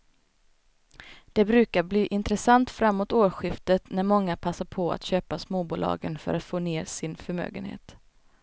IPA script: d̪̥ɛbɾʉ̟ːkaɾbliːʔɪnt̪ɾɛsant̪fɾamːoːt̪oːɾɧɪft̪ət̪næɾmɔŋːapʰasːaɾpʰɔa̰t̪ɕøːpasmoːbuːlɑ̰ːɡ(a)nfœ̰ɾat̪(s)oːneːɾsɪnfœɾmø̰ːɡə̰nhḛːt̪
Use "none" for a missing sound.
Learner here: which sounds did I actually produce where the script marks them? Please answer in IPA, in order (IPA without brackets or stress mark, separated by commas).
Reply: ə, f